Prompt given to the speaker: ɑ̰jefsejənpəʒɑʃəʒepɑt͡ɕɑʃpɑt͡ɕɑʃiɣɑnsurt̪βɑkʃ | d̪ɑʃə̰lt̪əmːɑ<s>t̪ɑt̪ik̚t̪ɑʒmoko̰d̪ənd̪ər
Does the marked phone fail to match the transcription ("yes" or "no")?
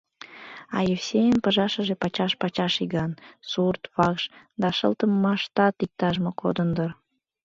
yes